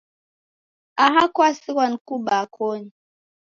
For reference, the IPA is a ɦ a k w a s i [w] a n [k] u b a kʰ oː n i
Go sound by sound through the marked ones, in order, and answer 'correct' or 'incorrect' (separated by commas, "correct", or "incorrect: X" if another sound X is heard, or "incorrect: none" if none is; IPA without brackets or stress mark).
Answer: correct, correct